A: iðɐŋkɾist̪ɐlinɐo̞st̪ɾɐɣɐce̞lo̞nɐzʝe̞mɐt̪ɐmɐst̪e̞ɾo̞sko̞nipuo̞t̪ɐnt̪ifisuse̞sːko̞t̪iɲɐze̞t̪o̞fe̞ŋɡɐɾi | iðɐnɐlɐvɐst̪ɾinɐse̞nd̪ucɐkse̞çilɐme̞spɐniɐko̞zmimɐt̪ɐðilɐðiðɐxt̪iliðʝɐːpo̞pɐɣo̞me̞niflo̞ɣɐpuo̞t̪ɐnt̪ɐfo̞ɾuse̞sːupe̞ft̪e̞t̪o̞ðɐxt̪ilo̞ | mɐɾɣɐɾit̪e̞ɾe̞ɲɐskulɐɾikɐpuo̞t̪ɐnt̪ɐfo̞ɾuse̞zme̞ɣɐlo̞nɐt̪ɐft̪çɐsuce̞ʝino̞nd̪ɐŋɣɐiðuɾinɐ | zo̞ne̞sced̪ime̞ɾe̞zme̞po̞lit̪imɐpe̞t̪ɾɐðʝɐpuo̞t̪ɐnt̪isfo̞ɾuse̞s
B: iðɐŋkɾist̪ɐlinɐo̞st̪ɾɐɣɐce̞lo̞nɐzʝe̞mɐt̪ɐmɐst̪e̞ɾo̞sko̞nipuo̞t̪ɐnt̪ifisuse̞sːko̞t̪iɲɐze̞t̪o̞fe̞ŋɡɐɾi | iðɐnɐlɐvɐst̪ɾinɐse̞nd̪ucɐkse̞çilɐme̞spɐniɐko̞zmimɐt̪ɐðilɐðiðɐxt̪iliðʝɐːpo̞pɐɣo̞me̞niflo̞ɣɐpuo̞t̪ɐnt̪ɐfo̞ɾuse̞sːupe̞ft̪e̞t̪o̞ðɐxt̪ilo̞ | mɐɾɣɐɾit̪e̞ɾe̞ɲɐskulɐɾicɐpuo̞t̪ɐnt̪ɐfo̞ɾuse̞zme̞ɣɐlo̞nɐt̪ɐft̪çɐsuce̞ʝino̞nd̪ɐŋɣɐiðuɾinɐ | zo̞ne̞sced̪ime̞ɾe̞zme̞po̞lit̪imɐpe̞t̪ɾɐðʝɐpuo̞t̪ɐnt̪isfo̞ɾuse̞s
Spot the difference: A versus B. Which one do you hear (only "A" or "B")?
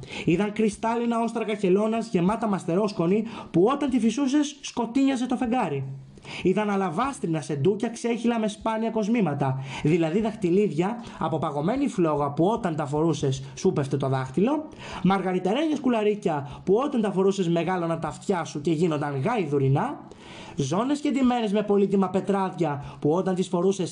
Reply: B